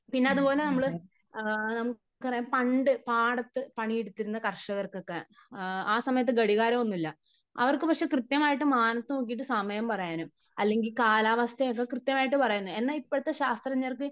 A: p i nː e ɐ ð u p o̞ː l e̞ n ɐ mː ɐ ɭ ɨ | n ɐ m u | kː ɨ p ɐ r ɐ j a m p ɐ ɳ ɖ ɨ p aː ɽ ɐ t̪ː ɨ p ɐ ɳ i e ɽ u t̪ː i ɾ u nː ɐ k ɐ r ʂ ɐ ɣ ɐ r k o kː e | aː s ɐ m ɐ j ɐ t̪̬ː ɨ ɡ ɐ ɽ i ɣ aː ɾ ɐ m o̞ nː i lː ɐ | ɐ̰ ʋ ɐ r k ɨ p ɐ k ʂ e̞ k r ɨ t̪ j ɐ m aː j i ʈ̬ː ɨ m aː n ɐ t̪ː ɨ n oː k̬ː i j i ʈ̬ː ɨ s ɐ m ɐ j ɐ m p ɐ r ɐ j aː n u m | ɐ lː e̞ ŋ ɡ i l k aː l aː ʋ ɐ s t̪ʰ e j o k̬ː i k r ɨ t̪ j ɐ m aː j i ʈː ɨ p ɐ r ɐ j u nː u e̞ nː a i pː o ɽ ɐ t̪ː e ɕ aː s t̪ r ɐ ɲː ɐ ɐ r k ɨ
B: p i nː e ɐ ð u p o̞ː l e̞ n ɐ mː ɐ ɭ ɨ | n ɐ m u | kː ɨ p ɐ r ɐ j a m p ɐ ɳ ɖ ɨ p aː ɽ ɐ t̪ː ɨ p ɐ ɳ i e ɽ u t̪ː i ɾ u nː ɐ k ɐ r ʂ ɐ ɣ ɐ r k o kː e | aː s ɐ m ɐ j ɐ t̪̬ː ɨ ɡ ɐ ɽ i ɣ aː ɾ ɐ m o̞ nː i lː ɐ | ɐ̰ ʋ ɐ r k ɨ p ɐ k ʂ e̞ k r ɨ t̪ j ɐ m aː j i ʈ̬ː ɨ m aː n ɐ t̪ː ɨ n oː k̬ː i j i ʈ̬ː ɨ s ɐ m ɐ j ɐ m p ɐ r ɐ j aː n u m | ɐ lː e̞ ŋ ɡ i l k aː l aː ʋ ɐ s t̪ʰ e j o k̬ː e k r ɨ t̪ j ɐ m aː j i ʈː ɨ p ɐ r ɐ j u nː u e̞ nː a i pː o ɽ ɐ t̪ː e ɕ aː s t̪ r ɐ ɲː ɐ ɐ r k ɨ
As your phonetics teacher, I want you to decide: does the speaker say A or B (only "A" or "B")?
B